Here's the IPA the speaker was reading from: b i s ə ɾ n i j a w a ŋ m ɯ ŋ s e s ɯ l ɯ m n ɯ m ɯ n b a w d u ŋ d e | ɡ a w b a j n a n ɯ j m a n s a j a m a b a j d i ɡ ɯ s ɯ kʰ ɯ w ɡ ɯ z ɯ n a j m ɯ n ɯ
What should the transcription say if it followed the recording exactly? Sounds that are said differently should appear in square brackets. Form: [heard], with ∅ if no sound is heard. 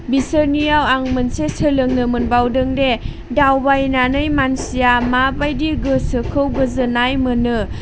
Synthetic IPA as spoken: b i s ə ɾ n i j a w a ŋ m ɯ [n] s e s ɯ l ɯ [ŋ] n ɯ m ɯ n b a w d [ɯ] ŋ d e | [d] a w b a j n a n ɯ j m a n s [i] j a m a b a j d i ɡ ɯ s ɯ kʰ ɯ w ɡ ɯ z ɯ n a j m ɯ n ɯ